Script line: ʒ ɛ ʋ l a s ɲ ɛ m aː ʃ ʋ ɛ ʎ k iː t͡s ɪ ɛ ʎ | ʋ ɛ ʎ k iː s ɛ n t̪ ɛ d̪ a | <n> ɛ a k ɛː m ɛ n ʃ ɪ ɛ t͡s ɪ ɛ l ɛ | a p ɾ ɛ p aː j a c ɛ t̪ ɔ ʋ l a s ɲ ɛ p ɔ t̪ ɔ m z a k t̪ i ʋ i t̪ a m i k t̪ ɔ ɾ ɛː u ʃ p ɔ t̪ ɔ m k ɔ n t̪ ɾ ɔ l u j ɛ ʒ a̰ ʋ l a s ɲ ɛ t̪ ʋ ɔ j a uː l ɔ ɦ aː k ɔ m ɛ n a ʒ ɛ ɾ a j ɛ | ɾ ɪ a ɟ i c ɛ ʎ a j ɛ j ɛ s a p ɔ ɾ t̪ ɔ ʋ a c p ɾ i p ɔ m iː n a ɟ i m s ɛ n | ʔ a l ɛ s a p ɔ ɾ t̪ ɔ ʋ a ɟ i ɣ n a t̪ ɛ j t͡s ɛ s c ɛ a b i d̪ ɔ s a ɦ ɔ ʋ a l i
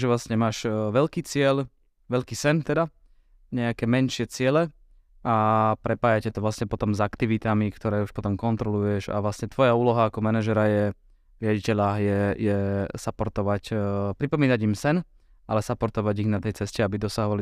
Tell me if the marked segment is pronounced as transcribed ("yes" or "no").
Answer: no